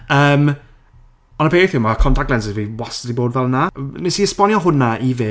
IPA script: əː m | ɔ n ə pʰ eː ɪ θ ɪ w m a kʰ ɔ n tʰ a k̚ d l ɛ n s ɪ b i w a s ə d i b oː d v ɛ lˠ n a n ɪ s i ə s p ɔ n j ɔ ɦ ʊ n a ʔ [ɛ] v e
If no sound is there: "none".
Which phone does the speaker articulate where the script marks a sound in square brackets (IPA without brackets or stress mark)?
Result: i